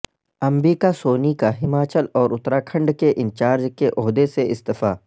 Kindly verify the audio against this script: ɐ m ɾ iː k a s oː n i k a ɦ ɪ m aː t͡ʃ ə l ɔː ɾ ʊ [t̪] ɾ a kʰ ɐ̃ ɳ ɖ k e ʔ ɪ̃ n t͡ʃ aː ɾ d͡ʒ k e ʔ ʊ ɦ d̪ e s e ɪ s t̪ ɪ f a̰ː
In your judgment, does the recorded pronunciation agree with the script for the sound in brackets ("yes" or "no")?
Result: yes